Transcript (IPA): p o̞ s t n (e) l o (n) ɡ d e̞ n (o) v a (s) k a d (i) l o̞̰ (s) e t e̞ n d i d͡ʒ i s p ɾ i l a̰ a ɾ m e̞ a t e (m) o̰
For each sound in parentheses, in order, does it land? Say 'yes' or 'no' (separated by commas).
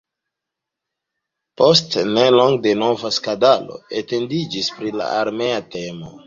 yes, no, yes, yes, no, no, yes